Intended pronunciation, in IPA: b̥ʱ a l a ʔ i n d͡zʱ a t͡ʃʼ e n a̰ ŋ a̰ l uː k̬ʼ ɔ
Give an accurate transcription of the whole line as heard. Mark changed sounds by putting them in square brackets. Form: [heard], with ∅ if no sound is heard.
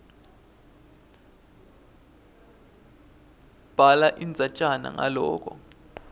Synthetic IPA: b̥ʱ a l a ʔ i n d͡zʱ a t͡ʃʼ [a] n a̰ ŋ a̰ l [ɔː] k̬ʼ ɔ